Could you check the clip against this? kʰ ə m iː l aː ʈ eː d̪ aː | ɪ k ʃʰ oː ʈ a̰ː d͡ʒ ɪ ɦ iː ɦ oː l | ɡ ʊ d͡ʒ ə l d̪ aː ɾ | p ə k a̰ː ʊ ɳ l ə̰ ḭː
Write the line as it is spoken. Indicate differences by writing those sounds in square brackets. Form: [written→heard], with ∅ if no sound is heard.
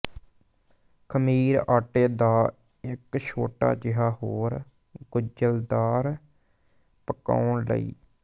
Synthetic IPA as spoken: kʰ ə m iː [l→ɾ] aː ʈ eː d̪ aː | ɪ k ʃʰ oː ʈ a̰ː d͡ʒ ɪ ɦ [iː→aː] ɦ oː [l→ɾ] | ɡ ʊ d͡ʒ ə l d̪ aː ɾ | p ə k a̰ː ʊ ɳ l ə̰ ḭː